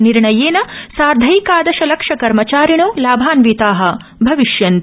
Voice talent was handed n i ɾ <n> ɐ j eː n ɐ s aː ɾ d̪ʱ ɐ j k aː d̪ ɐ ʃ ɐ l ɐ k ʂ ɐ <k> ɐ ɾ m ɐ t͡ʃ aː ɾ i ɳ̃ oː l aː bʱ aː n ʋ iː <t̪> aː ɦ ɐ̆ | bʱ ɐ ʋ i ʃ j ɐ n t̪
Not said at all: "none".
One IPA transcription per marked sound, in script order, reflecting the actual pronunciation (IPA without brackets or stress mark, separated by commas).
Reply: ɳ, k, t̪